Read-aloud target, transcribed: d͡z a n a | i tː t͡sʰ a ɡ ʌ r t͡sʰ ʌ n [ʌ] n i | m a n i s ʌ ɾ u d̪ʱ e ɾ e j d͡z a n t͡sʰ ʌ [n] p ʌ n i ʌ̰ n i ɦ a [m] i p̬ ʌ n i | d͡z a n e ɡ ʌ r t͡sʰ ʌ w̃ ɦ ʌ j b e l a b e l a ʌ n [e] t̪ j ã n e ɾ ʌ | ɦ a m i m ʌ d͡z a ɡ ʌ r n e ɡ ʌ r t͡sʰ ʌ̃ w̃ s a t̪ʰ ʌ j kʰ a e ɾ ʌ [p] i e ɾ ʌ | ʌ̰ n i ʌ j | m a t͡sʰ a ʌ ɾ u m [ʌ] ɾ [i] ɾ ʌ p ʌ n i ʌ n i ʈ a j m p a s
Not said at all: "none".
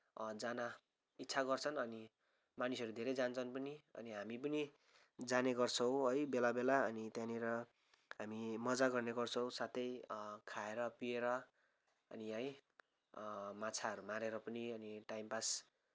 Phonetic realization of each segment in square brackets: ʌ, n, m, i, p, a, e

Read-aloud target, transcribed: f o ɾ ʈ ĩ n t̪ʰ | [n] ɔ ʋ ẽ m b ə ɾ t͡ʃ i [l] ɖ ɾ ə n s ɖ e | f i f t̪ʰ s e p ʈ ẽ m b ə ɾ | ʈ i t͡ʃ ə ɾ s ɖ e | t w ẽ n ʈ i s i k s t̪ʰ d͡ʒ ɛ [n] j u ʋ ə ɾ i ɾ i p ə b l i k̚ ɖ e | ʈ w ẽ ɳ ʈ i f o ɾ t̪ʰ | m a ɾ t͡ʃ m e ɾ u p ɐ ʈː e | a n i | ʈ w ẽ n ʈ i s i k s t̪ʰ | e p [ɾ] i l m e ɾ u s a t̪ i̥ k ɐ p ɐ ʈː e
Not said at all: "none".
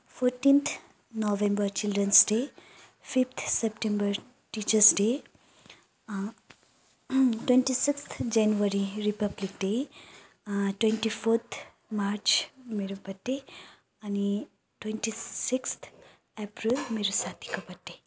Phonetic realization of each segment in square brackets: n, l, n, ɾ

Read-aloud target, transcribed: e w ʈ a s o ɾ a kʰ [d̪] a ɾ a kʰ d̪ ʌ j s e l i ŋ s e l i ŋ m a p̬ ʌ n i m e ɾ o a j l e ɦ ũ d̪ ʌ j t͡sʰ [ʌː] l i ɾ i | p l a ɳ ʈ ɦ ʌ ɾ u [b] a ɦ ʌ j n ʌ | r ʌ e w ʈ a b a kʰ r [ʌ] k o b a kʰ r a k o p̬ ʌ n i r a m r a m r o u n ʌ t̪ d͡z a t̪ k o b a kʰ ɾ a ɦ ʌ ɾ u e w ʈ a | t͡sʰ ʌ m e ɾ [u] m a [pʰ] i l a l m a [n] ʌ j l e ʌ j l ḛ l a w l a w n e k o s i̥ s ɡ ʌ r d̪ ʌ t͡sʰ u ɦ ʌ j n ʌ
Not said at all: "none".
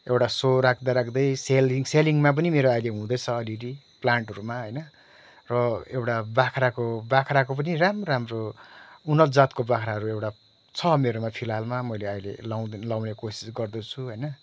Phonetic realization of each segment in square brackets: d̪, ʌː, m, a, o, pʰ, m

